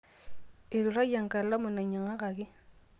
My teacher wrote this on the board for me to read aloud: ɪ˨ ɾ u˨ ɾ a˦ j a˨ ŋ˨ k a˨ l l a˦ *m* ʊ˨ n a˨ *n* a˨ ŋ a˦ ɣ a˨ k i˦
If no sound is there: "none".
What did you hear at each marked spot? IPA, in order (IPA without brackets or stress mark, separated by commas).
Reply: m, ɲ